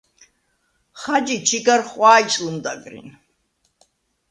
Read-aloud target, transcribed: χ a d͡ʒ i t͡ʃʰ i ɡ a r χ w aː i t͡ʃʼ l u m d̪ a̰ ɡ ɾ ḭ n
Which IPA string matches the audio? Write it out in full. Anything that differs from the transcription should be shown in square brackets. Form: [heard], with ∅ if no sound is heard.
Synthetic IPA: χ a d͡ʒ i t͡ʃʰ i ɡ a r χ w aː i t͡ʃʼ l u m d̪ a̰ ɡ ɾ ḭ n